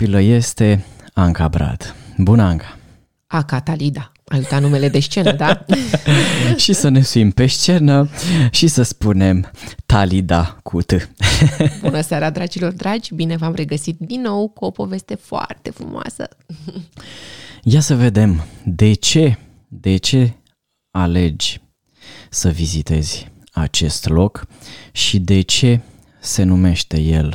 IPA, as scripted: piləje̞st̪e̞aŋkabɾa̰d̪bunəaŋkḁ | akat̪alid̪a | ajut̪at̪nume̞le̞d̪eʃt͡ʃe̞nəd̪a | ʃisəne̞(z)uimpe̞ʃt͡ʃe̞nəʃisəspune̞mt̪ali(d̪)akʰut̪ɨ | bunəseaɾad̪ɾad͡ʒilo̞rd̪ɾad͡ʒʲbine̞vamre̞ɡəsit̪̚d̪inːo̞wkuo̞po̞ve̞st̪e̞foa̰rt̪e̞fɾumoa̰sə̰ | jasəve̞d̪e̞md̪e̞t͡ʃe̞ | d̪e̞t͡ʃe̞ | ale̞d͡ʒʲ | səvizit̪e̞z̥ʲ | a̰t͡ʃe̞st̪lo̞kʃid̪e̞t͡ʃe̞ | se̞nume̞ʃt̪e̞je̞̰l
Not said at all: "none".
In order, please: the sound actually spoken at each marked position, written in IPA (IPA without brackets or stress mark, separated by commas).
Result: s, d̪